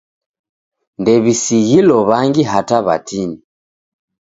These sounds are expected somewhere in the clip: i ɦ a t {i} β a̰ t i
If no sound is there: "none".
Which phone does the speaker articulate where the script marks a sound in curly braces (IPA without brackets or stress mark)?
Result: a